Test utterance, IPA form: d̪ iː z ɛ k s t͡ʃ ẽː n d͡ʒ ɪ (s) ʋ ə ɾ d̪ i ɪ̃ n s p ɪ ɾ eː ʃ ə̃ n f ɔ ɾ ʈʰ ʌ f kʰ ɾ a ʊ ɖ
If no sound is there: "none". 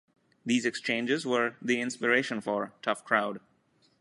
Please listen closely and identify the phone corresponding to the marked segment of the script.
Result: z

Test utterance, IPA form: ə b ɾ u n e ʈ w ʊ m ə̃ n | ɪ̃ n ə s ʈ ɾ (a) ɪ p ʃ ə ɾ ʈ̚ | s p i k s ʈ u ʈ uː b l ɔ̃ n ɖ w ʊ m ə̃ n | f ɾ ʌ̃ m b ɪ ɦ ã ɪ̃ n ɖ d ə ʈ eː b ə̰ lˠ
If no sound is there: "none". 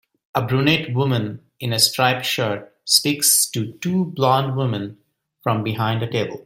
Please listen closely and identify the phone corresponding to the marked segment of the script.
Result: a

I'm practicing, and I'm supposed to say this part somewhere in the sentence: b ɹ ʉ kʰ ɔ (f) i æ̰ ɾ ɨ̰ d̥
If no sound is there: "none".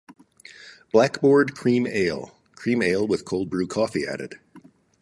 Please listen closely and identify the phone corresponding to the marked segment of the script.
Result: f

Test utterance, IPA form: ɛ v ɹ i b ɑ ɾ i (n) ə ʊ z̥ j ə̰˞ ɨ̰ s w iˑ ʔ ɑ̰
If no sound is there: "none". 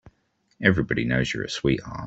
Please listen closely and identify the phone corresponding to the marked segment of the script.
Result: n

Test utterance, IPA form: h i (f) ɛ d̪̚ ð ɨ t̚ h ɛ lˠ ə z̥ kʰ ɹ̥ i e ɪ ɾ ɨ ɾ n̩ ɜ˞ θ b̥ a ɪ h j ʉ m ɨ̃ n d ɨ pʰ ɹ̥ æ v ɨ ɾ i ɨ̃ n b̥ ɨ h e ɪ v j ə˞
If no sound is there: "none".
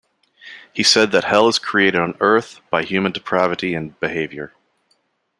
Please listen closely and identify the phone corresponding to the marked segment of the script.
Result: s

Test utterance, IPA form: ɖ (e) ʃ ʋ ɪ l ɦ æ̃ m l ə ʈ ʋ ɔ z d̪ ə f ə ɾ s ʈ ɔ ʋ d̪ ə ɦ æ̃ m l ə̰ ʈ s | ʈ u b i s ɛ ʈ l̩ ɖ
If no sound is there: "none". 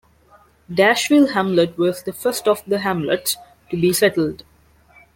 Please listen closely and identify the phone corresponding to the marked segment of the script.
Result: æ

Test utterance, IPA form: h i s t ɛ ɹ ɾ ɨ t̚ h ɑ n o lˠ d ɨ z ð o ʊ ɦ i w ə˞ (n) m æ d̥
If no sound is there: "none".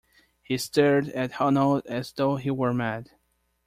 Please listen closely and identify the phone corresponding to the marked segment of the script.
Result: none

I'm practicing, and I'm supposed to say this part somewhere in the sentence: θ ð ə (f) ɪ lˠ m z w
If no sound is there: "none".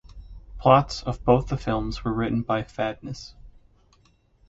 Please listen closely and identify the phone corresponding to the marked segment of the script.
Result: f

